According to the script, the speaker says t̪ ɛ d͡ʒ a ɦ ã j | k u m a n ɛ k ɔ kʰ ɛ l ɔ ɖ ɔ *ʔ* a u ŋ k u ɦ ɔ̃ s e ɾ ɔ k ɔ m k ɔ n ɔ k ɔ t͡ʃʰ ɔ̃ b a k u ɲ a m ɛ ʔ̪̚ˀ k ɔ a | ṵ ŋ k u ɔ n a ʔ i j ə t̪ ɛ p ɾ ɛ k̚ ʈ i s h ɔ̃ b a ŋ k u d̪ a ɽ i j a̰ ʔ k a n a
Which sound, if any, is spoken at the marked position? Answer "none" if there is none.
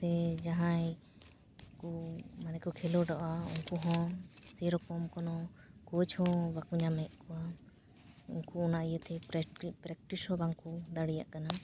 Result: ʔ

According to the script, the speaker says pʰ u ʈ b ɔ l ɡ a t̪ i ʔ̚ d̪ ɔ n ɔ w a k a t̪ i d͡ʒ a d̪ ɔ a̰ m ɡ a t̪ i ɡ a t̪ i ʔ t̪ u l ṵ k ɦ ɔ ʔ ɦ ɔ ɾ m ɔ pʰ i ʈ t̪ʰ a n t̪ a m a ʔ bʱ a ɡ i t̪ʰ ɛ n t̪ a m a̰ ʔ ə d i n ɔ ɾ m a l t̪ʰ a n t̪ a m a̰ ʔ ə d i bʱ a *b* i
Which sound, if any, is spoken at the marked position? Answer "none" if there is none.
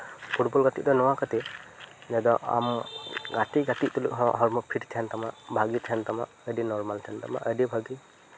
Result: ɡ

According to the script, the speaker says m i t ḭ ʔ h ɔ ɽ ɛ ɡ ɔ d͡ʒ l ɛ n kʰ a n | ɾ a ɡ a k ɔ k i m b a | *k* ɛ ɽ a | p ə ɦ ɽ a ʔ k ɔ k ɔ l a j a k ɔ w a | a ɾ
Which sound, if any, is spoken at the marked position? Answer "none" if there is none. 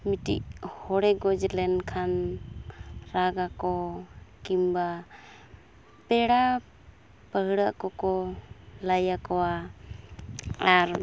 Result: p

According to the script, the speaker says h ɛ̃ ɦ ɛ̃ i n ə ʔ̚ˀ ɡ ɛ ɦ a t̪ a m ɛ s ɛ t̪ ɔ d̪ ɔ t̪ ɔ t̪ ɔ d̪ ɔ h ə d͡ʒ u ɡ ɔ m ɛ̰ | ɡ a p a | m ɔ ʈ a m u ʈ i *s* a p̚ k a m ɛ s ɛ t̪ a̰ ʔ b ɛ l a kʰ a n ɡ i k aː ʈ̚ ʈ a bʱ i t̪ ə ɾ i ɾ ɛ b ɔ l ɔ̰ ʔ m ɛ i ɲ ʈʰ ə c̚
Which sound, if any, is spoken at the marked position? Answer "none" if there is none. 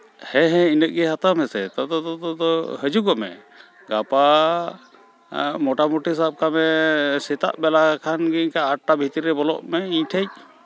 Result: s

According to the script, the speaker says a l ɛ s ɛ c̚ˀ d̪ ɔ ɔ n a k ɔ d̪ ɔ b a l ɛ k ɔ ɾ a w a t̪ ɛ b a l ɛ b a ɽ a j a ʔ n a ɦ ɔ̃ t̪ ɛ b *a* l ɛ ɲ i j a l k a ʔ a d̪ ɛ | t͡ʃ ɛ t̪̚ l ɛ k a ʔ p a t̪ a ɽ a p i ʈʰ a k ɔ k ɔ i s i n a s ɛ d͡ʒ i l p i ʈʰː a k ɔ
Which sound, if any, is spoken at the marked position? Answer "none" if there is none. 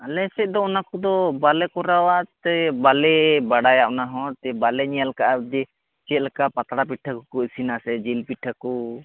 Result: a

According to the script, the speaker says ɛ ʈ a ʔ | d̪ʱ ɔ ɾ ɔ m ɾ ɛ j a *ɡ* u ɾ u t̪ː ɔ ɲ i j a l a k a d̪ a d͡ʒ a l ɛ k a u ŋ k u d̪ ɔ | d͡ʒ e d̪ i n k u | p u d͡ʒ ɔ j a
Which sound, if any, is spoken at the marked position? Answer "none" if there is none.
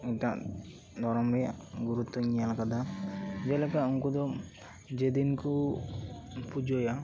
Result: ɡ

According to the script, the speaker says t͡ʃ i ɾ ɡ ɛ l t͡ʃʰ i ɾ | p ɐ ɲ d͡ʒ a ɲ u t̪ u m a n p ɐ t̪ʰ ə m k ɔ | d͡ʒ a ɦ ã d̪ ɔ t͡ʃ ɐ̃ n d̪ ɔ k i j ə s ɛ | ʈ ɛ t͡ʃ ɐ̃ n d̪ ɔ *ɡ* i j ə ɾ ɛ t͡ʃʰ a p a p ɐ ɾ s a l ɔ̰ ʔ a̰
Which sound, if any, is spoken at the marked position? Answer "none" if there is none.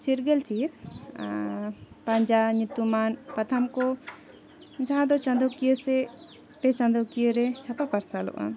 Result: k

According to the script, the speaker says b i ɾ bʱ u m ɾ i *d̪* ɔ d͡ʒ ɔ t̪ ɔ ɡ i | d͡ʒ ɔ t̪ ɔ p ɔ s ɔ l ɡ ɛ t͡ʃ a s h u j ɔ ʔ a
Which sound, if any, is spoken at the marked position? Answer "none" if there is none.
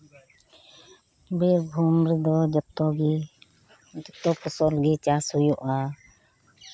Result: d̪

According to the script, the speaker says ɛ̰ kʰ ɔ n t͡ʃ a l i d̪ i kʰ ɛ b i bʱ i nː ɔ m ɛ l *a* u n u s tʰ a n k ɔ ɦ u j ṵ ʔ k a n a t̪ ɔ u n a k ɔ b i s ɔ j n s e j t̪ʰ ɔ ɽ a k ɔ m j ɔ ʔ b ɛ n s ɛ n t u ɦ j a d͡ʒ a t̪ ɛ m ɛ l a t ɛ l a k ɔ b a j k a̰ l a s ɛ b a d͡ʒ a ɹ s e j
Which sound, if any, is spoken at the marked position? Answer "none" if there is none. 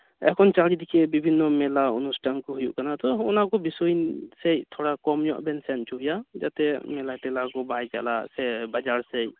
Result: a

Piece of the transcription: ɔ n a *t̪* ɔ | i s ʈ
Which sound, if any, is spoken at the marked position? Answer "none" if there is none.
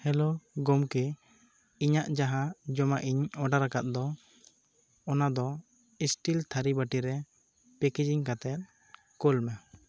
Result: d̪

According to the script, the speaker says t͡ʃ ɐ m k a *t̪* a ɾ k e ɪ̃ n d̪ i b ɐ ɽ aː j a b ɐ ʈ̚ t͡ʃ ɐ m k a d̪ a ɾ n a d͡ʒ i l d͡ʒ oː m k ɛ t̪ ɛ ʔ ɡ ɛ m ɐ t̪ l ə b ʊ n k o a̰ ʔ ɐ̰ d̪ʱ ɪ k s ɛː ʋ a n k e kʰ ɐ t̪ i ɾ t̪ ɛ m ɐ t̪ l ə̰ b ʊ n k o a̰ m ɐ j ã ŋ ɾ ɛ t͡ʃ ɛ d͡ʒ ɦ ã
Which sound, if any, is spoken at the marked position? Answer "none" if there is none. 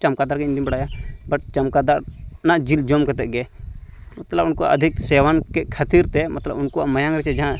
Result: d̪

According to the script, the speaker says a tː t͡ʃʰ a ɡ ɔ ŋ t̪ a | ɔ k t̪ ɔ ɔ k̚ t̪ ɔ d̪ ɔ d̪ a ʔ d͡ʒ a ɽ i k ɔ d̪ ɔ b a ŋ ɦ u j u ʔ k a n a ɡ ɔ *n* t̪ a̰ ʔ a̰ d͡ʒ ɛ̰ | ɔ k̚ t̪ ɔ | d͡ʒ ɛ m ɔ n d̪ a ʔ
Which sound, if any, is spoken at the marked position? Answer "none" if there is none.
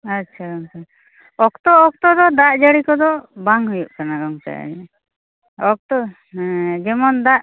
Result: ŋ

